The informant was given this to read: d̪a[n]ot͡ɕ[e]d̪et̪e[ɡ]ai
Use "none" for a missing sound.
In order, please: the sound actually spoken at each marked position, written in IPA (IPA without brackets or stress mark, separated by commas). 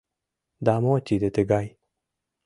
m, i, ɡ